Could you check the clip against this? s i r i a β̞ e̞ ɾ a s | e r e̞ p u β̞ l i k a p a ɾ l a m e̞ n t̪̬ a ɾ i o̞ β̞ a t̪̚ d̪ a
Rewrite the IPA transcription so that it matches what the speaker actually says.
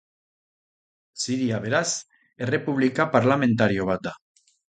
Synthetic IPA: s i ɾ i a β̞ e̞ ɾ a s | e r e̞ p u β̞ l i k a p a ɾ l a m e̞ n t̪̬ a ɾ i o̞ β̞ a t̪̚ d̪ a